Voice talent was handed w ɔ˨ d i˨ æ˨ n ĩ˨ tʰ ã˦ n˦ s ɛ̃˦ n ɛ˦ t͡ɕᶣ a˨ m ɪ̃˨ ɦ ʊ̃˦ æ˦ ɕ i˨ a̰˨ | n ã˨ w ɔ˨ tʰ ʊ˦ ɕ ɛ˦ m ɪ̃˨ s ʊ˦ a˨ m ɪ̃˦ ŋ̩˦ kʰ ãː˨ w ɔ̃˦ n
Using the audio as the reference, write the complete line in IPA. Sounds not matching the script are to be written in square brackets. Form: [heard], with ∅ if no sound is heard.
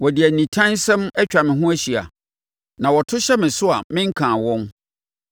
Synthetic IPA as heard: w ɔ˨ d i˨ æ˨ n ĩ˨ tʰ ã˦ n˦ s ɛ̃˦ [m] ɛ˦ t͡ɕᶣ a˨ m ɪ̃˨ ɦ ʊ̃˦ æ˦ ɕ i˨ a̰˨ | n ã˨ w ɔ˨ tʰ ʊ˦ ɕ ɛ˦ m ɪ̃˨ s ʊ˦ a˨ m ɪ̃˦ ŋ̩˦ kʰ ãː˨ w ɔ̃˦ n

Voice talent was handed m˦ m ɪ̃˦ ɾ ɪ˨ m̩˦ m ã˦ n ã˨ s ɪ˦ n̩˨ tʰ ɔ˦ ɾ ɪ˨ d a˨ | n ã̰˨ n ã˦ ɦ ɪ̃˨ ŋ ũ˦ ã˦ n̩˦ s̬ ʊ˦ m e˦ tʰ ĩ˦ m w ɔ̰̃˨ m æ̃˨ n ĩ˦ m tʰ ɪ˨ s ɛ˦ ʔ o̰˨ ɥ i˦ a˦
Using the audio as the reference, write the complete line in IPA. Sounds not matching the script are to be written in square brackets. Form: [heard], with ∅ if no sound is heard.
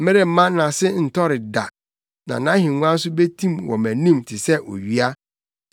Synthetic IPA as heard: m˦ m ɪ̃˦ ɾ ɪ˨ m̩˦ m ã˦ n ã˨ s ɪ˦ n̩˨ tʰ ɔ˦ ɾ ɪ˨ d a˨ | n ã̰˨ n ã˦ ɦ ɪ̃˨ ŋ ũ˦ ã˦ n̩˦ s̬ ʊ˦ [b] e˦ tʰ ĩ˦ m w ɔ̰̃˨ m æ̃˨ n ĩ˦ m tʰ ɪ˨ s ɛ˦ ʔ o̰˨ ɥ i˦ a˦

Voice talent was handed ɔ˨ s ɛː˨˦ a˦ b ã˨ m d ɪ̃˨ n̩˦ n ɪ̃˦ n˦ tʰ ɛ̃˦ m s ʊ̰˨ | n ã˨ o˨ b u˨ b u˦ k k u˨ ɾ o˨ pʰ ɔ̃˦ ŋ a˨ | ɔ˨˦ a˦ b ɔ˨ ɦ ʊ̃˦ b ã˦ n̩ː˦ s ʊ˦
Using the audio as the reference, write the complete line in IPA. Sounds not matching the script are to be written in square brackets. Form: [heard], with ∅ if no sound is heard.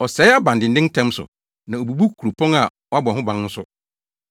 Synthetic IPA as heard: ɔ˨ s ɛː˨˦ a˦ b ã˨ [n] d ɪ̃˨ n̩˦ [d] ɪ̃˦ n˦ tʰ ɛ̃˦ m s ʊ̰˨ | n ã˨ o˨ b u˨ b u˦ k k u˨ ɾ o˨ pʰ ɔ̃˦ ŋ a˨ | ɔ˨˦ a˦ b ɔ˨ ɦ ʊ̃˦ b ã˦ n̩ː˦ s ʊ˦

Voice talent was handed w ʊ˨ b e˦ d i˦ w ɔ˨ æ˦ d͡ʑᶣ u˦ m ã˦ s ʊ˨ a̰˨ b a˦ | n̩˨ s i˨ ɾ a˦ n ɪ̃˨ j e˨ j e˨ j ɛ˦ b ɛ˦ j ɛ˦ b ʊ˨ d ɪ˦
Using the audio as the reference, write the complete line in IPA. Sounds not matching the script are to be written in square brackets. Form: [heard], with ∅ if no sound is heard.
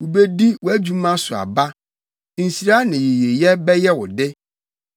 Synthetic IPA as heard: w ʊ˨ b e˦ d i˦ w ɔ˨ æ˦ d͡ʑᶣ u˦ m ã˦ s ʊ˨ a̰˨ b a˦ | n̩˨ s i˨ ɾ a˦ n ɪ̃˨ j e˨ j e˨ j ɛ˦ b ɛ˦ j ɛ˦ [w] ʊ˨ d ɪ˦

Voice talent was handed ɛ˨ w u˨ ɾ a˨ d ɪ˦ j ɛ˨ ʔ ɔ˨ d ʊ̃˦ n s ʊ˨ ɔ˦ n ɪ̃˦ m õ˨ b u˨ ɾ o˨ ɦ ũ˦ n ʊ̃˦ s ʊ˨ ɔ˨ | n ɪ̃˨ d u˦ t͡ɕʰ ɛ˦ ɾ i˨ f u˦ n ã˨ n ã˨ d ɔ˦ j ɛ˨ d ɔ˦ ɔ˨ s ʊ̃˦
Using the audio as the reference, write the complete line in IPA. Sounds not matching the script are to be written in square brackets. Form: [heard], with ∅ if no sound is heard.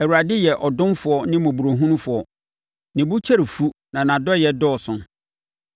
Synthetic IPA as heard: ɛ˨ w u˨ ɾ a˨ d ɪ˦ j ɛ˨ ʔ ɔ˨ d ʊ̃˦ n [f] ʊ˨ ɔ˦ n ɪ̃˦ m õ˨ b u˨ ɾ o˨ ɦ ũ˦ n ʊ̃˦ [f] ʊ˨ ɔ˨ | n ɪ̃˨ [b] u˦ t͡ɕʰ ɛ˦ ɾ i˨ f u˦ n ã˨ n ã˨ d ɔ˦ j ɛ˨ d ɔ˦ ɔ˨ s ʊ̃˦

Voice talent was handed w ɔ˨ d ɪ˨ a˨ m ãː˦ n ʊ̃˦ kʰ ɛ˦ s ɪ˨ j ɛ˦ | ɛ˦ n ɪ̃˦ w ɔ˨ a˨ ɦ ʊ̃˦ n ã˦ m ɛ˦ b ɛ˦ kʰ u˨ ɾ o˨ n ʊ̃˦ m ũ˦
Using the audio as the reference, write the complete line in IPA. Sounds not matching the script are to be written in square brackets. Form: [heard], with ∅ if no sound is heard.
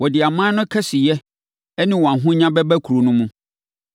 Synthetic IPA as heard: w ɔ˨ d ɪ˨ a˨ m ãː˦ n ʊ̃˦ kʰ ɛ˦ s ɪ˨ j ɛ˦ | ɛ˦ n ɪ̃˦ w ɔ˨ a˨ ɦ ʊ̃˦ [ɲ] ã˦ [b] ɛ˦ b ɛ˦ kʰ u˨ ɾ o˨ n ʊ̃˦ m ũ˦

